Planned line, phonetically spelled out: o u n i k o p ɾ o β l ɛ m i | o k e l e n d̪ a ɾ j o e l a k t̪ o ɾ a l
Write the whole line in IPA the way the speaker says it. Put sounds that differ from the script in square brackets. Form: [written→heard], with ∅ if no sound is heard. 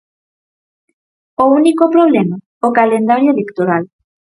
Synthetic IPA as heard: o u n i k o p ɾ o β l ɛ m [i→a] | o k [e→a] l e n d̪ a ɾ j o e l [a→e] k t̪ o ɾ a l